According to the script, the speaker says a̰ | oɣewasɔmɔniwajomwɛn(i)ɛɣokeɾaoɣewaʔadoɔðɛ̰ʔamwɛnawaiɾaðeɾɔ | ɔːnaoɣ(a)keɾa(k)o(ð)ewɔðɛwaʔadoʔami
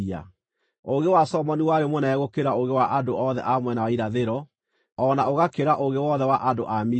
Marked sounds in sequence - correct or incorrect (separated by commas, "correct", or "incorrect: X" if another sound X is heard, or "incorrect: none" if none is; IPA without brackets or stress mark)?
incorrect: a, correct, incorrect: ʔ, incorrect: ɣ